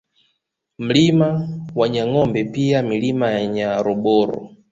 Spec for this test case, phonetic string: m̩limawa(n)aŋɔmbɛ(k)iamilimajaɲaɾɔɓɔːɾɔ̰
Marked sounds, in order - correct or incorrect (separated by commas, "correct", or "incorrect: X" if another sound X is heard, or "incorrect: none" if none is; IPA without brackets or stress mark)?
incorrect: ɲ, incorrect: p